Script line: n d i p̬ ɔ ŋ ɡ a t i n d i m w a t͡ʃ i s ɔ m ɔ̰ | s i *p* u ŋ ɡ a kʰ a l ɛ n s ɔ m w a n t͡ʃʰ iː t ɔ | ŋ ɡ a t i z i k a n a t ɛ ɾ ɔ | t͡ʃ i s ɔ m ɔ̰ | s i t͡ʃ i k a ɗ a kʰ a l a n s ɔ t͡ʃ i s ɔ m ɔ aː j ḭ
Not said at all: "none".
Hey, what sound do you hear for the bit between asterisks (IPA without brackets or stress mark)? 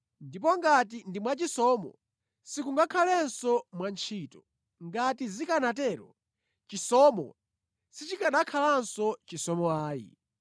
k